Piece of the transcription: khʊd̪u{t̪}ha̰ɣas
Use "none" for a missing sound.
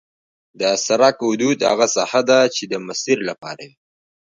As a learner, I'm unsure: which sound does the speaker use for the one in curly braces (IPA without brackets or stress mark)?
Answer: d̪